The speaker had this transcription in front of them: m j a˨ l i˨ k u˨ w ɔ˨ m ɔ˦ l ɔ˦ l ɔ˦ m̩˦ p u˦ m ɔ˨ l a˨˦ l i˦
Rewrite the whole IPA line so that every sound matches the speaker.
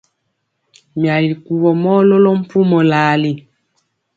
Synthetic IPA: m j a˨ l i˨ k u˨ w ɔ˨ m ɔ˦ l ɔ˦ l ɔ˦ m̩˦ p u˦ m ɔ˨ l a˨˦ l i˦